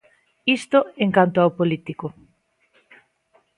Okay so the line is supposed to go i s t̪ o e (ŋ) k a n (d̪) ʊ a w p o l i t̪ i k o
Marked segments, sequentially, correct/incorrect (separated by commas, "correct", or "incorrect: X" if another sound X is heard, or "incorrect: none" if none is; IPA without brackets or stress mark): correct, incorrect: t̪